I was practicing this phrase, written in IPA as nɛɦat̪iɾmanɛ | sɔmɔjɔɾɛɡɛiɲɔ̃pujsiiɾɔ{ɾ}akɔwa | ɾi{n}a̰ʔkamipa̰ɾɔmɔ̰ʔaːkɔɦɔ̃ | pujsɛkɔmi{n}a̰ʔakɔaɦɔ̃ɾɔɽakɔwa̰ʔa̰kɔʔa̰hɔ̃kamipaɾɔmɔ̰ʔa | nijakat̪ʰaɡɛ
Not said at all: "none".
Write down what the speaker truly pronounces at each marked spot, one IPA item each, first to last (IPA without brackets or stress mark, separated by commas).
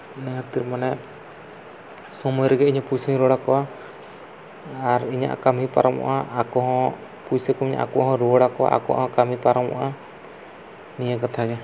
ɽ, ɲ, ɲ